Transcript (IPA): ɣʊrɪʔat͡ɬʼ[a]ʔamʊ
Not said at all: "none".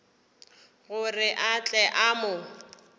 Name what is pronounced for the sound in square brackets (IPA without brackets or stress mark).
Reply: ɛ